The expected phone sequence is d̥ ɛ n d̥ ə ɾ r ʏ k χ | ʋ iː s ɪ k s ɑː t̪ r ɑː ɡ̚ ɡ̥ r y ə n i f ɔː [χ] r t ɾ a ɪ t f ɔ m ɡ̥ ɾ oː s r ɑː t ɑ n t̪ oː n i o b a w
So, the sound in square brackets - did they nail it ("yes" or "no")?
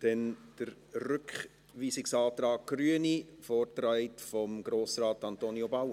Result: no